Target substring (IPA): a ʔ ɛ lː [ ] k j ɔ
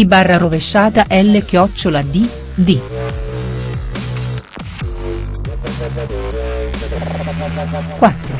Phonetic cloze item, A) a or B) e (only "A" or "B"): B